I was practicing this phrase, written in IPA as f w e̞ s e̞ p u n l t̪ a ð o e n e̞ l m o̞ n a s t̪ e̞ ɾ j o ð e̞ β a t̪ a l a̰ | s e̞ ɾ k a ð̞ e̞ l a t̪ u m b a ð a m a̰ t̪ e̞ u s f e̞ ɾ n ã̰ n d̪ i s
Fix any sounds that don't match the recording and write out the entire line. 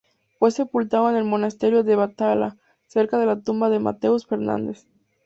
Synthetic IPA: f w e̞ s e̞ p u l t̪ a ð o e n e̞ l m o̞ n a s t̪ e̞ ɾ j o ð e̞ β a t̪ a l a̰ | s e̞ ɾ k a ð̞ e̞ l a t̪ u m b a ð e m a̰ t̪ e̞ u s f e̞ ɾ n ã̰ n d̪ e s